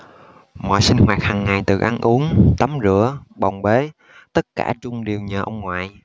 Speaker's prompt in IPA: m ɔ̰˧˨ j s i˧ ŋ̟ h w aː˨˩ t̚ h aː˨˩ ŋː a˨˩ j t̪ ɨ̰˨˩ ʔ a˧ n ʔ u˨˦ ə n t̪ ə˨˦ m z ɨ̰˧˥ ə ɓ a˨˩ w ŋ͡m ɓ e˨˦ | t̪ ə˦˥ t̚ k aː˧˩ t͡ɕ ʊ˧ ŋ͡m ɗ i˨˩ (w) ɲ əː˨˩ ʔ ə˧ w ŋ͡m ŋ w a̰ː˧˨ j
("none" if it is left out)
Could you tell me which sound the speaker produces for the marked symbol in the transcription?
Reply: w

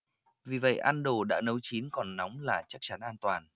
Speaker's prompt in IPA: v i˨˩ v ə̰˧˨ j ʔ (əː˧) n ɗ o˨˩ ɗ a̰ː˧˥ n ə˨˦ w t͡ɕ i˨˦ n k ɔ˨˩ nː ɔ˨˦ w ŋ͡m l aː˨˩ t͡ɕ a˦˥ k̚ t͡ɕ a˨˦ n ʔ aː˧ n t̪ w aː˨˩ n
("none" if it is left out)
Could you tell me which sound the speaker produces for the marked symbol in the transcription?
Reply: aː˧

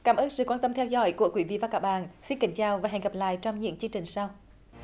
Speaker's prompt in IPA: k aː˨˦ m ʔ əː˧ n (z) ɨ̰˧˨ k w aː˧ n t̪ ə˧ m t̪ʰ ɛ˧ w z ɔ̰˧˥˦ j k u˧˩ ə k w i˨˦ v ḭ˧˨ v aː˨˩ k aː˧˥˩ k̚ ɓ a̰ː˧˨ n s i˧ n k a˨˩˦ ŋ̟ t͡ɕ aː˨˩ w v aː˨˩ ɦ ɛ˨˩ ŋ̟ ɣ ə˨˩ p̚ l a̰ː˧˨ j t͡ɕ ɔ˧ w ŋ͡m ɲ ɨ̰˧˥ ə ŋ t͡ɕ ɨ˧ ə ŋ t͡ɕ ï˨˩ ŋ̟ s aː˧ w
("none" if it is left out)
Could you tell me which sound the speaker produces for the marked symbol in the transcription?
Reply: s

